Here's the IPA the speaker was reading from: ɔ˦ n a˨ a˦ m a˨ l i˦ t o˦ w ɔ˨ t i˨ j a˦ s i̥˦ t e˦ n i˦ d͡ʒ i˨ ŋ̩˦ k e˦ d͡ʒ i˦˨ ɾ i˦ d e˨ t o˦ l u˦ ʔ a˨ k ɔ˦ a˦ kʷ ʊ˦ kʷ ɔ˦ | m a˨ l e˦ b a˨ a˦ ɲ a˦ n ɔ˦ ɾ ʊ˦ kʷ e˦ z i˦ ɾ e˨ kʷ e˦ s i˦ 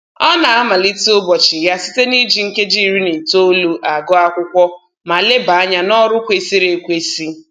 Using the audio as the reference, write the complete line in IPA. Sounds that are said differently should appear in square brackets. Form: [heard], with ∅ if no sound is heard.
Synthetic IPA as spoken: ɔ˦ n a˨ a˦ m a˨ l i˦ t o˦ [b] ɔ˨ [t͡ʃ] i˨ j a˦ s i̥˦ t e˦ n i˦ d͡ʒ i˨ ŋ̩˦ k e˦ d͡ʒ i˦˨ ɾ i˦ [n] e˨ t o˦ l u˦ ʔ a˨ [ɡ] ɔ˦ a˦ kʷ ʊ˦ kʷ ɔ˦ | m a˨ l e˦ b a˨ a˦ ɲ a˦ n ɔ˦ ɾ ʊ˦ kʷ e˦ [s] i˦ ɾ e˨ kʷ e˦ s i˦